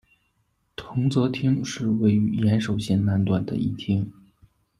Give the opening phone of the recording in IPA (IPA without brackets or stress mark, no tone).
t̪ʰ